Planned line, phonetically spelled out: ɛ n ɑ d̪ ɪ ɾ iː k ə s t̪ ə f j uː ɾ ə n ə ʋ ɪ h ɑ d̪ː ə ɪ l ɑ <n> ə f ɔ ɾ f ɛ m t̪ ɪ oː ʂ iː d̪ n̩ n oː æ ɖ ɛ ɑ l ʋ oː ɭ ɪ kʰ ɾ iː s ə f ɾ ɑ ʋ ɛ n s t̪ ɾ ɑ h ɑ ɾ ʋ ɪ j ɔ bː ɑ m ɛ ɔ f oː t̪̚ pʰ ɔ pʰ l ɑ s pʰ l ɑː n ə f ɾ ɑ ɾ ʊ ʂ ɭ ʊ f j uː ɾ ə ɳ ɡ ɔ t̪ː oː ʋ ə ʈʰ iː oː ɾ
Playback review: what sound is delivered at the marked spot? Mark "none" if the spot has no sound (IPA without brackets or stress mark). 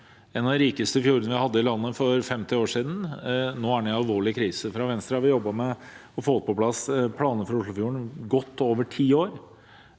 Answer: nː